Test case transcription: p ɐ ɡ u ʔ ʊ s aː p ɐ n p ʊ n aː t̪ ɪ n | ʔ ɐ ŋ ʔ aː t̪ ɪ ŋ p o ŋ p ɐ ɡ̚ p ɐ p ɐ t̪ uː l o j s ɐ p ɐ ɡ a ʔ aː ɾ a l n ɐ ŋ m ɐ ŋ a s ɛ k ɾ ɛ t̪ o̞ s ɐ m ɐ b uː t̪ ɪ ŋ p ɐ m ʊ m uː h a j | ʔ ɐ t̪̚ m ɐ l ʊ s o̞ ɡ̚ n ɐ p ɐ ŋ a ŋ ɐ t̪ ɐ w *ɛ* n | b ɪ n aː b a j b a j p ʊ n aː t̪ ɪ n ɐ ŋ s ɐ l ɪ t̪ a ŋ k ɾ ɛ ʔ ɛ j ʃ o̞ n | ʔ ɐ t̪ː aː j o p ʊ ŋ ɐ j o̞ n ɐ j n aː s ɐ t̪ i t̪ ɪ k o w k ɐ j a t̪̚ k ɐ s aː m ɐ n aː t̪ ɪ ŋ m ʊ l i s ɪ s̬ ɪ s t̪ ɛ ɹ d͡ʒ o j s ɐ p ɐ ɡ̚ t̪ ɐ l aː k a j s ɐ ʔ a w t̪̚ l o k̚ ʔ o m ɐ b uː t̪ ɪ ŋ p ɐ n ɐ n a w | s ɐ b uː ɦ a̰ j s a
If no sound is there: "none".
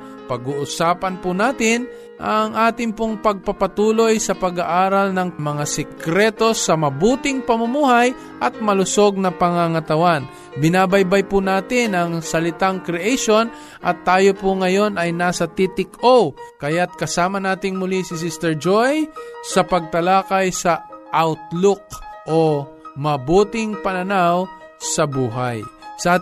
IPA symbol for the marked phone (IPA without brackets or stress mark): a